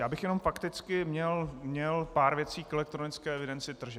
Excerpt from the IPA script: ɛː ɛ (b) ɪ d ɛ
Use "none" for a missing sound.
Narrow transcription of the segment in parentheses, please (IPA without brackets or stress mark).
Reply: v